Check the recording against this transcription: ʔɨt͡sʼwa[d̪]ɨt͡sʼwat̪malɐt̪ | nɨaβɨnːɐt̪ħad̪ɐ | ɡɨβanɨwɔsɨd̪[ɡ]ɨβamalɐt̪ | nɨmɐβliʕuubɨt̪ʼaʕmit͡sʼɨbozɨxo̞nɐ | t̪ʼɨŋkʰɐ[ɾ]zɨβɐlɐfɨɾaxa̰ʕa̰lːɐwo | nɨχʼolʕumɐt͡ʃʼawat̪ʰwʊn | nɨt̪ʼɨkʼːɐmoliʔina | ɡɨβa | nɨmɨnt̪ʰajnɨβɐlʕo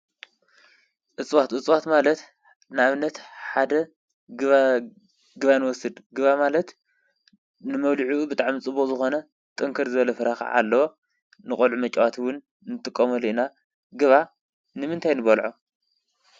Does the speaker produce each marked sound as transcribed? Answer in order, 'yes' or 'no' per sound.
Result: no, yes, yes

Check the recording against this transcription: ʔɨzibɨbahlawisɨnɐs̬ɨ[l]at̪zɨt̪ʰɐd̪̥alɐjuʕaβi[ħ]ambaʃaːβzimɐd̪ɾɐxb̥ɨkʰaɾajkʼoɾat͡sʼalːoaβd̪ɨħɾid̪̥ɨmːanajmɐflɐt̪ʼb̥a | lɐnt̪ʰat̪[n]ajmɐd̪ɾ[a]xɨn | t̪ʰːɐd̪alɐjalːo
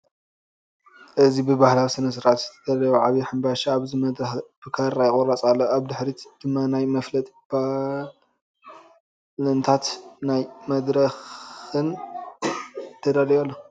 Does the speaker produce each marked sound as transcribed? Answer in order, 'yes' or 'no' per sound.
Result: no, yes, yes, no

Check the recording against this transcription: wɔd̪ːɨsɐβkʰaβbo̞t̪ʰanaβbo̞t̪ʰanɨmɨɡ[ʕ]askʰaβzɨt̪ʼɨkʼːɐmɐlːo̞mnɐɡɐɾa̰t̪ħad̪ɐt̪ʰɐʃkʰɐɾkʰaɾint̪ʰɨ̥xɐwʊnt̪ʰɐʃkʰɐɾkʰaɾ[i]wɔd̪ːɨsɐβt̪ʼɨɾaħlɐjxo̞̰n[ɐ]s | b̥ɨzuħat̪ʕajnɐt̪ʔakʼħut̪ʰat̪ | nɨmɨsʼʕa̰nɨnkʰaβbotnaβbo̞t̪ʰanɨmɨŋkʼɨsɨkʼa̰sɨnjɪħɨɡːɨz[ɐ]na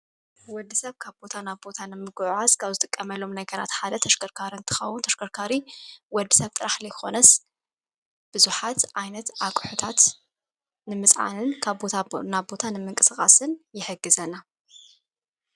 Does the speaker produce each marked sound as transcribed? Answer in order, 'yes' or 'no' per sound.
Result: yes, yes, yes, yes

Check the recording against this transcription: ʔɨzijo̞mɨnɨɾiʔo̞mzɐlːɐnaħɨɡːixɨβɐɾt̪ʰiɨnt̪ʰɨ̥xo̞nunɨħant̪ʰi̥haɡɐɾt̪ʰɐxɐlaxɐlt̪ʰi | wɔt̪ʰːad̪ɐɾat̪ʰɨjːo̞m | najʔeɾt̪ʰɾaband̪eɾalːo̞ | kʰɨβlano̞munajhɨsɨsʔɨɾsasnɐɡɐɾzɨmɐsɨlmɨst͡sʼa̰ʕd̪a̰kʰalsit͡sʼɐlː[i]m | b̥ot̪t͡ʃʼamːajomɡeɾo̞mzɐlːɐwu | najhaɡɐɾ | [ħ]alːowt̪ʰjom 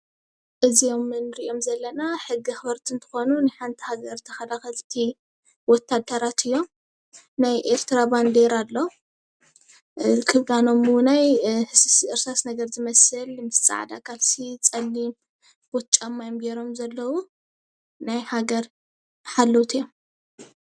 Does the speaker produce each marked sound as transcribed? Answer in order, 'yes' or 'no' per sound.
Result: yes, yes

